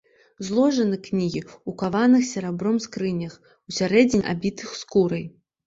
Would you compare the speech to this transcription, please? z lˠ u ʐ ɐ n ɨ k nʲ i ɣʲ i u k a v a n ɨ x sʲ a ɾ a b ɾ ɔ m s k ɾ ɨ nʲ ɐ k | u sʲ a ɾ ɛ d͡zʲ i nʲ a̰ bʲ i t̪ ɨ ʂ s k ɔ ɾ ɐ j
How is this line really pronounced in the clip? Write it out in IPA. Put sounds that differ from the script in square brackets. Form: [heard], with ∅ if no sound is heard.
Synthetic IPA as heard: z lˠ [ɔ] ʐ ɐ n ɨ k nʲ i ɣʲ i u k a v a n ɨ x sʲ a ɾ a b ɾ ɔ m s k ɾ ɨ nʲ ɐ [x] | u sʲ a ɾ ɛ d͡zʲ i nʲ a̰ bʲ i t̪ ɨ [x] s k [u] ɾ ɐ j